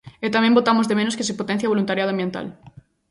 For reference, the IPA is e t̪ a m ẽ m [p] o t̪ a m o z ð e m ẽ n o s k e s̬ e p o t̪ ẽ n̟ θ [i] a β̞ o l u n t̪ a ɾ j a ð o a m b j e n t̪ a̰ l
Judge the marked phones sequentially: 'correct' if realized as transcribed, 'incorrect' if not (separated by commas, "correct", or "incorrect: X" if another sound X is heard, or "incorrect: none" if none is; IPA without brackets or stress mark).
incorrect: b, incorrect: j